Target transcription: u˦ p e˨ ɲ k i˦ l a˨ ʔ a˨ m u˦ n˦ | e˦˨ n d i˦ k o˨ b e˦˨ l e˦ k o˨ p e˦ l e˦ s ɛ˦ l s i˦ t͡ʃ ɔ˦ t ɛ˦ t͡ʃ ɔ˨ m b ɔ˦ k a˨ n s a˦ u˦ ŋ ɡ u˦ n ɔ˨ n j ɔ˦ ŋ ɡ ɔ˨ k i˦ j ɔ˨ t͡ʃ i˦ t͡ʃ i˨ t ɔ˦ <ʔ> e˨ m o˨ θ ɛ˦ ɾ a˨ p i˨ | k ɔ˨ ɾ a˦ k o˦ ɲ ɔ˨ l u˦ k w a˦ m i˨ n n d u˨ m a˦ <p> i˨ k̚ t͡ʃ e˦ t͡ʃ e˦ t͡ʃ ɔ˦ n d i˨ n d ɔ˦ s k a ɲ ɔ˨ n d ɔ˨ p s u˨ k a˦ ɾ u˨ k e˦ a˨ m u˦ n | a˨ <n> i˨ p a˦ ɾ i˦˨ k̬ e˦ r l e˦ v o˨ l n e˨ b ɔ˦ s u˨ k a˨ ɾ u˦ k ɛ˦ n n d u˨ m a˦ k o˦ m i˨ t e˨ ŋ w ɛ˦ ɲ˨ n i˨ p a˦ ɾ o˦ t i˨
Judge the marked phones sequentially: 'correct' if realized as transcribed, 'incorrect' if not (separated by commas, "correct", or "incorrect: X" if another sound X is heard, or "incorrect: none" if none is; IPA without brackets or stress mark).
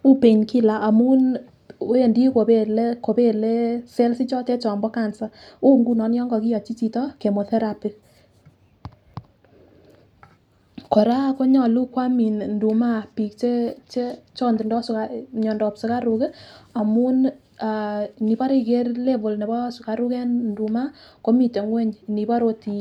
incorrect: k, correct, correct